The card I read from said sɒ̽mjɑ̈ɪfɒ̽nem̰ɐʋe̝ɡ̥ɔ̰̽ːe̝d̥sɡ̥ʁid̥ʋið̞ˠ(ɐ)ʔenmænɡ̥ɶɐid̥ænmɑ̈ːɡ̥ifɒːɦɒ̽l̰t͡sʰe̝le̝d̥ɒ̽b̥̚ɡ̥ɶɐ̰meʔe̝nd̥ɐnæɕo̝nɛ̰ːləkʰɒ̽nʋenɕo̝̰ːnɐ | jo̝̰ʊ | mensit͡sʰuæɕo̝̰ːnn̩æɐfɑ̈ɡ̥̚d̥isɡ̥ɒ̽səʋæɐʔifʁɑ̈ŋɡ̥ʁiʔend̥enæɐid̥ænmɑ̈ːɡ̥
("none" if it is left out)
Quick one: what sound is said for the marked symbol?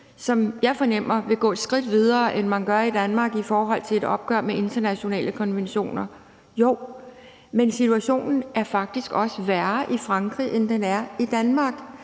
ɐː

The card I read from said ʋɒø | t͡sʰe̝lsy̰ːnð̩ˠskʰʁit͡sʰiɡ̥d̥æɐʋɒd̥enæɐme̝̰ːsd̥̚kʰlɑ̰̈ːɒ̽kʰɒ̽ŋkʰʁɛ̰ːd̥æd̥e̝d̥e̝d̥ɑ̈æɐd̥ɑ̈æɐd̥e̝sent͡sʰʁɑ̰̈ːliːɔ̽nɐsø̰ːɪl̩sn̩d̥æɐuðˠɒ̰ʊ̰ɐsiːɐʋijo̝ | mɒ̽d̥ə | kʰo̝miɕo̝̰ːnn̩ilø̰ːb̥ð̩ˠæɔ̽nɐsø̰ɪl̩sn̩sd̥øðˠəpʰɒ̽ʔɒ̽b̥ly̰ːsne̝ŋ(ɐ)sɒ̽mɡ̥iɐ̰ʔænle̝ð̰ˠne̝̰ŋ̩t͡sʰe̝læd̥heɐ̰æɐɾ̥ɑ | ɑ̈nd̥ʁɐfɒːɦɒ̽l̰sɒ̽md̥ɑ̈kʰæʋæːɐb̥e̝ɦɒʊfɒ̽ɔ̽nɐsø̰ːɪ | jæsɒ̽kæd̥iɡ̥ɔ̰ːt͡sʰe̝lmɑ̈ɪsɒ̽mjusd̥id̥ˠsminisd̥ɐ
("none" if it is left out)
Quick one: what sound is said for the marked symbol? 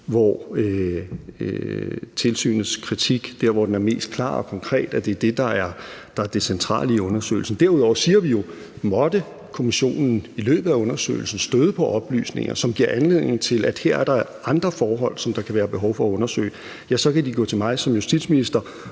ɐ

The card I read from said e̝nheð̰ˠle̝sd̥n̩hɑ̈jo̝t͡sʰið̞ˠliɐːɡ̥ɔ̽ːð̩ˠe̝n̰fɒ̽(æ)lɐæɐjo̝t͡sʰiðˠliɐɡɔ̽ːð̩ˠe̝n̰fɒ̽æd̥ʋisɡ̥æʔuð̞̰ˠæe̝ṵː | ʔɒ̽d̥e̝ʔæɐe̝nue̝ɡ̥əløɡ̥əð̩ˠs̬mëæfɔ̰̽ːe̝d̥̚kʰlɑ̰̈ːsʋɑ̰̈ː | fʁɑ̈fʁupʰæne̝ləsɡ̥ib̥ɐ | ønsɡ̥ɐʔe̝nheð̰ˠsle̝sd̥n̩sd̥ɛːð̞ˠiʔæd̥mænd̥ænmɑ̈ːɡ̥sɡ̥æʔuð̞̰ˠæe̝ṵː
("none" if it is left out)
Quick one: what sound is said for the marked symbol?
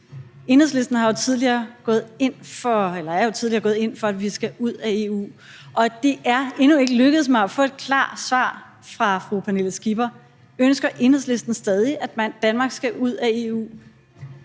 e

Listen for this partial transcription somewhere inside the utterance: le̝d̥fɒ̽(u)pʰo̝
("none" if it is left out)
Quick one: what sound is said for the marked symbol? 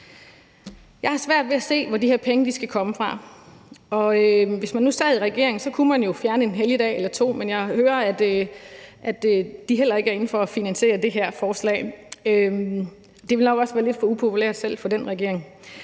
u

